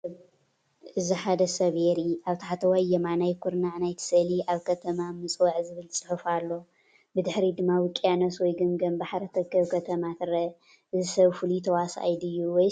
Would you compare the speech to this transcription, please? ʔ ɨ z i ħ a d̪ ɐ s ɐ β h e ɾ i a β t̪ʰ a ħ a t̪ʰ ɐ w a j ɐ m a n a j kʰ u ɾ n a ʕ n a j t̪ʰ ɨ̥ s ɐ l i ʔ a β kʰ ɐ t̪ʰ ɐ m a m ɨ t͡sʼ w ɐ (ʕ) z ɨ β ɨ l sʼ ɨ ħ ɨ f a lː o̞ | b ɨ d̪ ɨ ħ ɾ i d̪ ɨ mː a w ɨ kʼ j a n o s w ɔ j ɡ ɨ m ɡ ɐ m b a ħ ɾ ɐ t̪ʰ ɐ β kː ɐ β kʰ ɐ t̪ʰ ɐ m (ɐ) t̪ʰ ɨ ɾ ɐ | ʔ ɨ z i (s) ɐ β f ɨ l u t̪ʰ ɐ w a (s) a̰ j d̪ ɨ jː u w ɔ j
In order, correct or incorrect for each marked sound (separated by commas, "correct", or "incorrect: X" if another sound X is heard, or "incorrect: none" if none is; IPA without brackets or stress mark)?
correct, incorrect: a, correct, correct